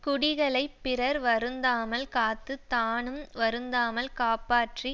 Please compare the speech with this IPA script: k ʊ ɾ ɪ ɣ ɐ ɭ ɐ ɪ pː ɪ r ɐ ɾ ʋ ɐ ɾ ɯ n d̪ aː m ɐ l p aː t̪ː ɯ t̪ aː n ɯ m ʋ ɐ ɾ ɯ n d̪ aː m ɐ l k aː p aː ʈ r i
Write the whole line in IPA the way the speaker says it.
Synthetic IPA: k ʊ ɽ ɪ ɣ ɐ ɭ ɐ ɪ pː ɪ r ɐ ɾ ʋ ɐ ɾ ɯ n d̪ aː m ɐ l k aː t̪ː ɯ t̪ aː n ɯ m ʋ ɐ ɾ ɯ n d̪ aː m ɐ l k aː p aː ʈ r i

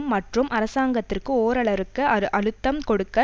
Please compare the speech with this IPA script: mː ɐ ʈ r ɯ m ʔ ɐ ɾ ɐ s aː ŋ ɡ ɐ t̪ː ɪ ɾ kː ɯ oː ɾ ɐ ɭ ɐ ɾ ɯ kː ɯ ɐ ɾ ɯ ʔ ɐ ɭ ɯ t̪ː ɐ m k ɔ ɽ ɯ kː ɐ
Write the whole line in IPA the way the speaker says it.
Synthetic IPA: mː ɐ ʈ r ɯ m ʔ ɐ ɾ ɐ s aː ŋ ɡ ɐ t̪ː ɪ r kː ɯ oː ɾ ɐ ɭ ɐ ɾ ɯ kː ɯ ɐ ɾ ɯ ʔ ɐ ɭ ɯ t̪ː ɐ m k ɔ ɽ ɯ kː ɐ

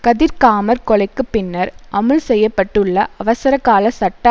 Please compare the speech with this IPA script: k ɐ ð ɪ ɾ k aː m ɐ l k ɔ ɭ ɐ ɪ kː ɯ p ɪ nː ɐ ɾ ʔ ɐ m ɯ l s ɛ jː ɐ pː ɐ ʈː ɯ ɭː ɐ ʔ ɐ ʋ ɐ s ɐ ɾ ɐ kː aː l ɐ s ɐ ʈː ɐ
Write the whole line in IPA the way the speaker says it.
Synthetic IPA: k ɐ ð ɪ ɾ k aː m ɐ ɾ k ɔ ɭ ɐ ɪ kː ɯ p ɪ nː ɐ ɾ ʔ ɐ m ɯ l s ɛ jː ɐ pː ɐ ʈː ɯ ɭː ɐ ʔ ɐ ʋ ɐ s ɐ ɾ ɐ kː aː l ɐ s ɐ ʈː ɐ

